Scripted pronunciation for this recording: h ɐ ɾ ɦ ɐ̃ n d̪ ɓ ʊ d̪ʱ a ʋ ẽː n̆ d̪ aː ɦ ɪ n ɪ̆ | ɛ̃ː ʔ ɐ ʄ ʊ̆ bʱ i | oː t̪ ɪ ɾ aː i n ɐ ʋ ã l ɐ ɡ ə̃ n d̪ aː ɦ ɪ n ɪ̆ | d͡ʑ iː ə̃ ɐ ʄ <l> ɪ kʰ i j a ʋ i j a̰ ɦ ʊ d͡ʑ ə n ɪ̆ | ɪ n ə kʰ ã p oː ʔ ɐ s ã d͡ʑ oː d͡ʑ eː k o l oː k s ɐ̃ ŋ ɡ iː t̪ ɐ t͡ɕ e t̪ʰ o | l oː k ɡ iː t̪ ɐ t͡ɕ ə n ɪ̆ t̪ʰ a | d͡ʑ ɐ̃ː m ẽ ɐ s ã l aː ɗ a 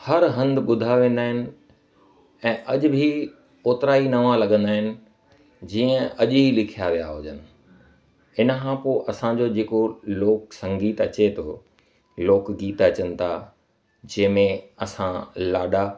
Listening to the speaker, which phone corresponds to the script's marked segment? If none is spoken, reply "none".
l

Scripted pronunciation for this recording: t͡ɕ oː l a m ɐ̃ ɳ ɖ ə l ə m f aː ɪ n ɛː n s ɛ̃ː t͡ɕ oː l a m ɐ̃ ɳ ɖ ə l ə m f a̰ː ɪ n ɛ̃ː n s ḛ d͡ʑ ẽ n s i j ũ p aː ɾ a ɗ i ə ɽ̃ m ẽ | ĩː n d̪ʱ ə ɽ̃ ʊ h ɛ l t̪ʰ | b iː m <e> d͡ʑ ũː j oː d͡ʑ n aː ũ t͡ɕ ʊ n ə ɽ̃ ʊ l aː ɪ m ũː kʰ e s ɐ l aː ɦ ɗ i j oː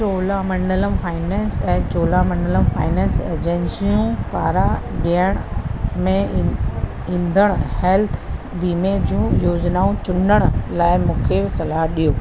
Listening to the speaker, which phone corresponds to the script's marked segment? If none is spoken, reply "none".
e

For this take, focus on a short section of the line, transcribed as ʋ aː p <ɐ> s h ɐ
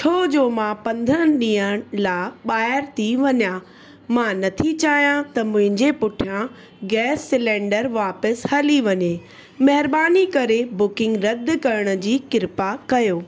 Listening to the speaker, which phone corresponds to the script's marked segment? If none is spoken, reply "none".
ə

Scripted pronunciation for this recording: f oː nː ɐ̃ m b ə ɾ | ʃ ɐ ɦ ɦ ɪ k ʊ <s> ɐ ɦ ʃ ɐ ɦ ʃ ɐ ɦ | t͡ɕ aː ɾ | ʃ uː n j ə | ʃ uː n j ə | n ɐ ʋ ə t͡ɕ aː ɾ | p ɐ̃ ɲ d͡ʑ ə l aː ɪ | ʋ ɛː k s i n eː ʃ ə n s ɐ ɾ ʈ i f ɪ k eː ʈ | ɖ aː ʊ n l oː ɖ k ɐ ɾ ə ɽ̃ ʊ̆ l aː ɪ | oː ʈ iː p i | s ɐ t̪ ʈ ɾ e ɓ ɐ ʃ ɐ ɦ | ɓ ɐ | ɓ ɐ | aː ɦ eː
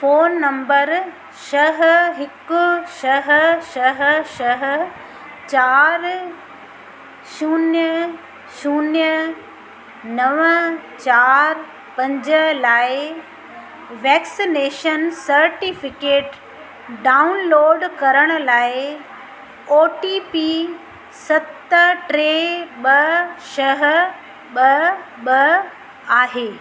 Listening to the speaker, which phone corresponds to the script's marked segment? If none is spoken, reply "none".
ʃ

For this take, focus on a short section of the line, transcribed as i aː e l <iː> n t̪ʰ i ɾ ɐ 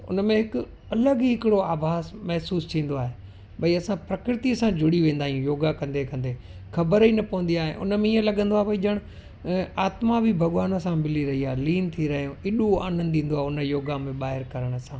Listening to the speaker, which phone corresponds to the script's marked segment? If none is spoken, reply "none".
iː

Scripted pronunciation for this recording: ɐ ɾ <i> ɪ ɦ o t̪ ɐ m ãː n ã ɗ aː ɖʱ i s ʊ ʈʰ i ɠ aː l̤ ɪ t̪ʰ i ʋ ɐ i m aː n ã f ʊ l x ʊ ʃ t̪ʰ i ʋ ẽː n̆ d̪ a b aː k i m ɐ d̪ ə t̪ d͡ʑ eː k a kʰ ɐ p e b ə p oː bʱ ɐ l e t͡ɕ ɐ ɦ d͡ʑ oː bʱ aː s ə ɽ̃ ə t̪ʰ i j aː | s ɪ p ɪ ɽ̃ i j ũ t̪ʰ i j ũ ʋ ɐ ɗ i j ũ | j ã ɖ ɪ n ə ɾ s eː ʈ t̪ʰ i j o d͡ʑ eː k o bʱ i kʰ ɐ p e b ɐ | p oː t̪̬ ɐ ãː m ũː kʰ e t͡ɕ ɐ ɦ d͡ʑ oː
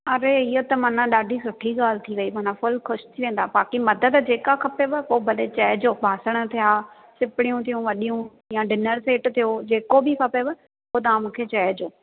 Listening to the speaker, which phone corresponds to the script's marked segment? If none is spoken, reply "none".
e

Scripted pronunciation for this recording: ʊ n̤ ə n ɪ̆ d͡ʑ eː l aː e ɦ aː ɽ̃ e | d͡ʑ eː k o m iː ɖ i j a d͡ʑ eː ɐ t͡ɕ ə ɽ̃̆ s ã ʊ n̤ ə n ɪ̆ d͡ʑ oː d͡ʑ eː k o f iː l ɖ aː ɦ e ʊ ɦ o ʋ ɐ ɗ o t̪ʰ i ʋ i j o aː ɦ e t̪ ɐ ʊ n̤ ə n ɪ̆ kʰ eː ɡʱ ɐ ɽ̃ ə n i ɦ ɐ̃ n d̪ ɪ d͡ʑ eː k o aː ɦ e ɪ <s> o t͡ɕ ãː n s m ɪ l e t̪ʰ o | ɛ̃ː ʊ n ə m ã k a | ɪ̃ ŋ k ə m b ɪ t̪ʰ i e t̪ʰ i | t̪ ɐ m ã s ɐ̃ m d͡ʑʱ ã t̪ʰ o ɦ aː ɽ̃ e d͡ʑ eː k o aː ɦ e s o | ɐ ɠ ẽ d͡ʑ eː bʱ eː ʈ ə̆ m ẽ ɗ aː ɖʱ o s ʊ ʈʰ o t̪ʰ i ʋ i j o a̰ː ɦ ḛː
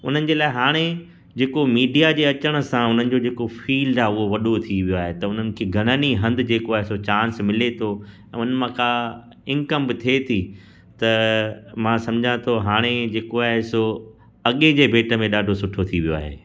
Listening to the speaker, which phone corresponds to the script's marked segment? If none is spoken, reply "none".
s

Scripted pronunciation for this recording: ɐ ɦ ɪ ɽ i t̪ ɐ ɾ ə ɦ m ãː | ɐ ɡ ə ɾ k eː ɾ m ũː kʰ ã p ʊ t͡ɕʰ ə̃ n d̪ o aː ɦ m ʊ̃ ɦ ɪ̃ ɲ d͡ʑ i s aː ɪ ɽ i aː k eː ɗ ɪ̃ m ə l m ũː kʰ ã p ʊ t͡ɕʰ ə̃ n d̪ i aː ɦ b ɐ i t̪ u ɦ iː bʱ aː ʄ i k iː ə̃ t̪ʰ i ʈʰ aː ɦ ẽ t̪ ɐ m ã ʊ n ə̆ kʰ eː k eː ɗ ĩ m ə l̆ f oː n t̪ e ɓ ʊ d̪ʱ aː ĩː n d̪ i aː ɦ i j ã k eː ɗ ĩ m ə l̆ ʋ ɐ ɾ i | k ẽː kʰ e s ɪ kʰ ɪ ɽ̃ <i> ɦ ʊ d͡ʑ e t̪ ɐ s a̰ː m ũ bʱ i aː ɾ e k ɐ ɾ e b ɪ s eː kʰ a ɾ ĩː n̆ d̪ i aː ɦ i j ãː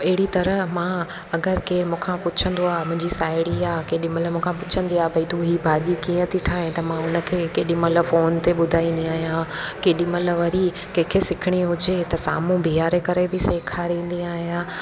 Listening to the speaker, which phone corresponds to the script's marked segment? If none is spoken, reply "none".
i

